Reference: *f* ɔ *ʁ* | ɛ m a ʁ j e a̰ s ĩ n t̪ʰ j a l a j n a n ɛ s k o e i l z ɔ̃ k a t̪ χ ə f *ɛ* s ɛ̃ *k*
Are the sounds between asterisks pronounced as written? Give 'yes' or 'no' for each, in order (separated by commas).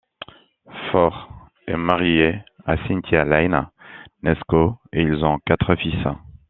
yes, yes, no, no